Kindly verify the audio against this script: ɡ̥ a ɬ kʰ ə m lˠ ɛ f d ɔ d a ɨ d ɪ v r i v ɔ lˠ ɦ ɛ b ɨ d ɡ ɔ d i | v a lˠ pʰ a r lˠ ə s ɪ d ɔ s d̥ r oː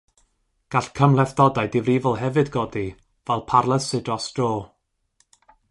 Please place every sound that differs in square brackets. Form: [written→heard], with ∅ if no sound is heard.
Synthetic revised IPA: ɡ̥ a ɬ kʰ ə m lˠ ɛ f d ɔ d a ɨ d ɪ v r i v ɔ lˠ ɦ ɛ [b→v] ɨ d ɡ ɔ d i | v [a→ɛ] lˠ pʰ a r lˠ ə s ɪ d ɔ s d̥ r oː